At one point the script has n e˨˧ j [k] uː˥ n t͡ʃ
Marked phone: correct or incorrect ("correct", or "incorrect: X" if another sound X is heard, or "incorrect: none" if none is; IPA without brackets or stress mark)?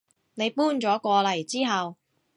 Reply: incorrect: p